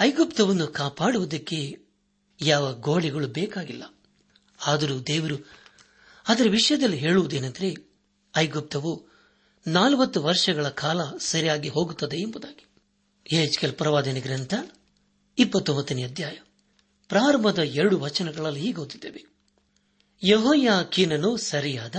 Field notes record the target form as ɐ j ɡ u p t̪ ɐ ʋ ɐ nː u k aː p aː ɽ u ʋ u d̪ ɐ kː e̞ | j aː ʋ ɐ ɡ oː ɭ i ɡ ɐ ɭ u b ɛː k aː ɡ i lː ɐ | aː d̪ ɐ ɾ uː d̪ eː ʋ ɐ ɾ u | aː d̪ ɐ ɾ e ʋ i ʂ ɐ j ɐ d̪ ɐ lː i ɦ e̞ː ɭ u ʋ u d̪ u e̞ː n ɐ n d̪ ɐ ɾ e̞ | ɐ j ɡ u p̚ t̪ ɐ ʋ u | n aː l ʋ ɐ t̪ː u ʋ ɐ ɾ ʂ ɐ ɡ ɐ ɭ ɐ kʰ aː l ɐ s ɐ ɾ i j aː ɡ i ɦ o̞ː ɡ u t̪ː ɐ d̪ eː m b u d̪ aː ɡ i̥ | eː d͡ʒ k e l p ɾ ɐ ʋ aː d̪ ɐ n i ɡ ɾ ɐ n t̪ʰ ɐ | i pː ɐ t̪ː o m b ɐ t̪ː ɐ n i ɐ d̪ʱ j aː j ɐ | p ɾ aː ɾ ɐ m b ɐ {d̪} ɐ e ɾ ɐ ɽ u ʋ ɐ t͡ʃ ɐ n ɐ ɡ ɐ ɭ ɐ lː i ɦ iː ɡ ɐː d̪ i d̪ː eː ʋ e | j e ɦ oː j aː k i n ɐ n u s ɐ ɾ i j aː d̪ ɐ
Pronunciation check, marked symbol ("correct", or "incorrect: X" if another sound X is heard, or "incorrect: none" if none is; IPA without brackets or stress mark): correct